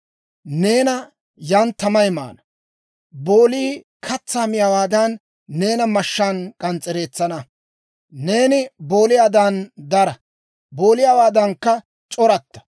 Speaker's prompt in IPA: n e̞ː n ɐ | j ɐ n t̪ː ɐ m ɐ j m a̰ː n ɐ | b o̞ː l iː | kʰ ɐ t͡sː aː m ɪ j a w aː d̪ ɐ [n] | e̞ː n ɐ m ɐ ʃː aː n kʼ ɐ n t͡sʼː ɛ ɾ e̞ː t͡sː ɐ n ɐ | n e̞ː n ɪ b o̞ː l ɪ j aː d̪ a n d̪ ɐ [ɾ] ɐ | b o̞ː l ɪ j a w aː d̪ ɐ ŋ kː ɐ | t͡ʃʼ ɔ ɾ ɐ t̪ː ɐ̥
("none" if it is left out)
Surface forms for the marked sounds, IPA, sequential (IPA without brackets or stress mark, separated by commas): nː, ɾ